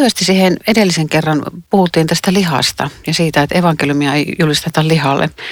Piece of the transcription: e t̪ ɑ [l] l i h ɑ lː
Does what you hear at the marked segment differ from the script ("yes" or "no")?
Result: no